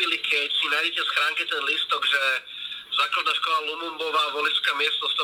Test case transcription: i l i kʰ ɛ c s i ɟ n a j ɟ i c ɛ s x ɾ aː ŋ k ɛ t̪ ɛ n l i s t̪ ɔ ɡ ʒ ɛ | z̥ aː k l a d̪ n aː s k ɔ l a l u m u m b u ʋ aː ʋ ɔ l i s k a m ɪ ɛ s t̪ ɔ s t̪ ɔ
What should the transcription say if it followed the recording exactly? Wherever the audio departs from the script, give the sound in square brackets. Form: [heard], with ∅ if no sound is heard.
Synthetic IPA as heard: i l i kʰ ɛ c s i [∅] n a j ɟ [ɛ] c ɛ s x ɾ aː ŋ k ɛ t̪ ɛ n l i s t̪ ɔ ɡ ʒ ɛ | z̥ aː k l a d̪ n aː [ʃ] k ɔ l a l u m u m b [ɔ] ʋ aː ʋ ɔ l i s k a m ɪ ɛ s t̪ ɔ s t̪ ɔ